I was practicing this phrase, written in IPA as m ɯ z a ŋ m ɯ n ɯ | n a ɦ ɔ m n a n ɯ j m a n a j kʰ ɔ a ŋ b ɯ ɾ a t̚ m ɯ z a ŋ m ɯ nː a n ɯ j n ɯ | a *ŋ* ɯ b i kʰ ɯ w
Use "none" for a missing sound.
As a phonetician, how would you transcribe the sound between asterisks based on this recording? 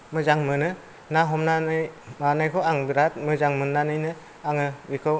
ŋ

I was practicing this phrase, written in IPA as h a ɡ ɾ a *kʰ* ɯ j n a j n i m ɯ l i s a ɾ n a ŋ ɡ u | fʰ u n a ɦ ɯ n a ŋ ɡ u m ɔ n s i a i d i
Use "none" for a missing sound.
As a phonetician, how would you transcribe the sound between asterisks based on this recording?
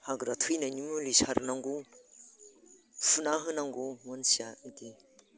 tʰ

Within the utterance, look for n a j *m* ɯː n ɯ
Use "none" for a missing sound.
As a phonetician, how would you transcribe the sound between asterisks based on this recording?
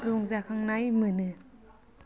m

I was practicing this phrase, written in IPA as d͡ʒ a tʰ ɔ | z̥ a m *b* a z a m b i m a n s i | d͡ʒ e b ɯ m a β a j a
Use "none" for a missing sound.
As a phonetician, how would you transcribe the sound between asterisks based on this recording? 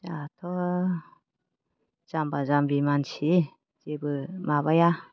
b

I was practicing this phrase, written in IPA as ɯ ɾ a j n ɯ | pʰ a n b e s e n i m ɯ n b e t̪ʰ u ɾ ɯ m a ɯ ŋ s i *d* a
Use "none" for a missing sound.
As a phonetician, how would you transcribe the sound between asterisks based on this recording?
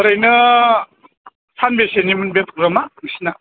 n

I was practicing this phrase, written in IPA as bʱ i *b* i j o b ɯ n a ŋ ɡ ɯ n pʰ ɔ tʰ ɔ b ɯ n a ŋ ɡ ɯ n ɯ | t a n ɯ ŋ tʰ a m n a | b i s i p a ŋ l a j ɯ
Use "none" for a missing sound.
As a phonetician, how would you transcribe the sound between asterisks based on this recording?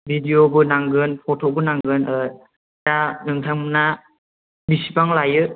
d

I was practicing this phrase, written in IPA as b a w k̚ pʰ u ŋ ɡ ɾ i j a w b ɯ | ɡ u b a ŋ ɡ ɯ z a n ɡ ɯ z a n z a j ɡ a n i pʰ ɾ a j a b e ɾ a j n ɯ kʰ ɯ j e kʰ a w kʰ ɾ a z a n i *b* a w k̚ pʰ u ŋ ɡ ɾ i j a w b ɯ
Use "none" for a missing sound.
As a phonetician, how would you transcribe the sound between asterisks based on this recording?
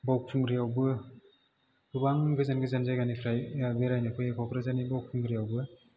b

